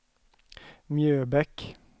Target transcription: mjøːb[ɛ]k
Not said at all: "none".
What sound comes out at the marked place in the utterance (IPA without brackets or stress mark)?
ɛ